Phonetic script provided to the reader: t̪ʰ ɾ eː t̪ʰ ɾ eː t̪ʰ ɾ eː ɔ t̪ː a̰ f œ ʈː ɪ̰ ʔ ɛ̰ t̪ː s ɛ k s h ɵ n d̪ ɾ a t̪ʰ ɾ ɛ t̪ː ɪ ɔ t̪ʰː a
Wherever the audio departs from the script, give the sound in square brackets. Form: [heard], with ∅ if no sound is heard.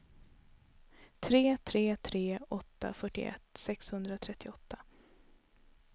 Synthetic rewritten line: t̪ʰ ɾ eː t̪ʰ ɾ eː t̪ʰ ɾ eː ɔ t̪ː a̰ f œ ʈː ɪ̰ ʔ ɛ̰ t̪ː s ɛ k s h ɵ n d̪ ɾ a t̪ʰ ɾ ɛ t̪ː ɪ ɔ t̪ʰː a